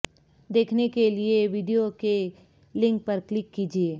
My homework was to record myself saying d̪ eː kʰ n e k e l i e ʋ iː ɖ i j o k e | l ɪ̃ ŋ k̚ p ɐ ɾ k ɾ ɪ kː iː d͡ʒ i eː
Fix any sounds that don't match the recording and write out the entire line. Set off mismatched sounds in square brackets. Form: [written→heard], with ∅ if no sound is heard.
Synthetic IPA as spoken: d̪ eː kʰ n e k e l i e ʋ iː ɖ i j o k e | l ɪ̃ ŋ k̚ p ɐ ɾ k [ɾ→l] ɪ kː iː d͡ʒ i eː